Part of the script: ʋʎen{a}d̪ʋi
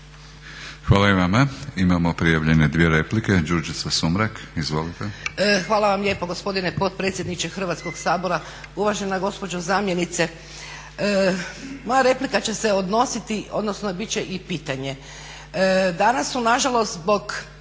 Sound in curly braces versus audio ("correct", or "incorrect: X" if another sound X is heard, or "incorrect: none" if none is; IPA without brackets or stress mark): incorrect: e